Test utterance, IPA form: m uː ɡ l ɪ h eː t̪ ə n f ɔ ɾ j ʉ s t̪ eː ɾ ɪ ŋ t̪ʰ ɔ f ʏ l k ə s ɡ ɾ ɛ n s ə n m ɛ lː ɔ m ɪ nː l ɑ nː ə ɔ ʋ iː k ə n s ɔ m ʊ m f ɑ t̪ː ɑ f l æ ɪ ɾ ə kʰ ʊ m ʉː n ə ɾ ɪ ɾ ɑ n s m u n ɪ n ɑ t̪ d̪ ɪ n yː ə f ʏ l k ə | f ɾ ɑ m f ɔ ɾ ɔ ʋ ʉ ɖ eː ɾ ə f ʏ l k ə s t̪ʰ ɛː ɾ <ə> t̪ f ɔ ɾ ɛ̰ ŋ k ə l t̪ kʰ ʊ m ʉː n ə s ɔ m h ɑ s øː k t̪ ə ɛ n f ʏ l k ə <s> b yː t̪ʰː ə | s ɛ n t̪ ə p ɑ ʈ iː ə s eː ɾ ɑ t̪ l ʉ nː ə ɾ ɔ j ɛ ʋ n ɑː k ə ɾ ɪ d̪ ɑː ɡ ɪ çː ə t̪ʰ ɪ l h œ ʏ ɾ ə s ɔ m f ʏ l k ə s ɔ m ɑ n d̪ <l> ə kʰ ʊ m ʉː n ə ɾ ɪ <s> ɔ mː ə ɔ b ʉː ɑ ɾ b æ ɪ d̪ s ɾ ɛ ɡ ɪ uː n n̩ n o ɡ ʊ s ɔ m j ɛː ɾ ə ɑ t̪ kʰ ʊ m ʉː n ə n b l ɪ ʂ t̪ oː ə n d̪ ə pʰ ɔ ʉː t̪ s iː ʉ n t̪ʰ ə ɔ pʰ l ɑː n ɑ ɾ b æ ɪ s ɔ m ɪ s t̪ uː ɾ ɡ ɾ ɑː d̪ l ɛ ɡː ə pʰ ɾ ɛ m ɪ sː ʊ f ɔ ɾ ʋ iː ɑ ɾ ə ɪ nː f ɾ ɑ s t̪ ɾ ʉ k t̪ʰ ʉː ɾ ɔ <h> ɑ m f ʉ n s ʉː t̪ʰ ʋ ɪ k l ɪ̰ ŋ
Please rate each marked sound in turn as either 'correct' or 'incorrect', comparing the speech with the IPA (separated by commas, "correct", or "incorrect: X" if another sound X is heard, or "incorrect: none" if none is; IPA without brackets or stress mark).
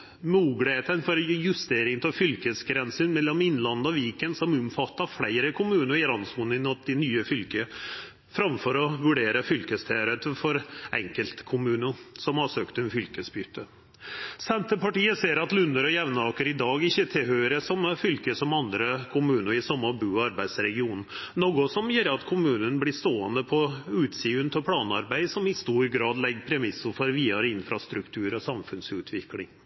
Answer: correct, correct, incorrect: ɾ, correct, incorrect: s